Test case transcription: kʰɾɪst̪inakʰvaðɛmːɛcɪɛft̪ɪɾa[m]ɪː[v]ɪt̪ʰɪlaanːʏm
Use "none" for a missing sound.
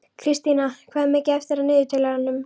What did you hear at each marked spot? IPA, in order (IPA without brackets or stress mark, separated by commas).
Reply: n, ð